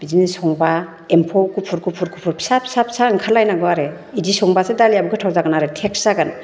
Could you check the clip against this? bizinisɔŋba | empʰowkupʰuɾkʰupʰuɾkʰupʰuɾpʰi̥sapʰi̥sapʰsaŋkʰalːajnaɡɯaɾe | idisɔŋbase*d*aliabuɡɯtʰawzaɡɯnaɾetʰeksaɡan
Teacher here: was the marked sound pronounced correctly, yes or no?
yes